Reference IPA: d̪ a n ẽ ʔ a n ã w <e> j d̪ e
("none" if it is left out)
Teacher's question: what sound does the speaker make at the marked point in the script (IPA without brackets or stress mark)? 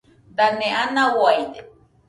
a